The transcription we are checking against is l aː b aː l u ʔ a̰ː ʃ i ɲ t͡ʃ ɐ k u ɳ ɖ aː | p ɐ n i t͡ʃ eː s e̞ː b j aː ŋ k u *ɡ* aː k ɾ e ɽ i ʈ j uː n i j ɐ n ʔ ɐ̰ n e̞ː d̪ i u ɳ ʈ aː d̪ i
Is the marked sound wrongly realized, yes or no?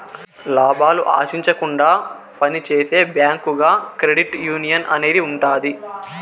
no